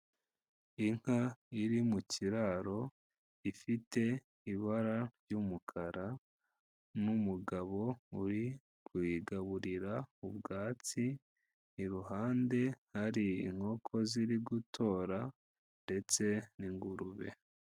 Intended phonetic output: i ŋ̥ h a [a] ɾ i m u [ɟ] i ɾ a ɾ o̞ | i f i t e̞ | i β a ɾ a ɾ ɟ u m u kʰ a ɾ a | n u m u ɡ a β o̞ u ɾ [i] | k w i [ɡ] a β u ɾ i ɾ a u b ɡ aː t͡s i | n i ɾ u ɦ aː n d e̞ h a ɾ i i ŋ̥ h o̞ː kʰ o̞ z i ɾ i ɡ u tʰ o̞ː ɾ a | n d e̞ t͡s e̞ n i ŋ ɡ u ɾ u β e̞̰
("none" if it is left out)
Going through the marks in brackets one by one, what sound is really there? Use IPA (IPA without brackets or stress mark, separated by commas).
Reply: i, c, i, ɡ